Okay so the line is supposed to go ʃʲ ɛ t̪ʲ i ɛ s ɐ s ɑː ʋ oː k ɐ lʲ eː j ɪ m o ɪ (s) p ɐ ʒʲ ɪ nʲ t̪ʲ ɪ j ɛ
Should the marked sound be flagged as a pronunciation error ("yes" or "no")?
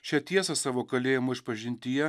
yes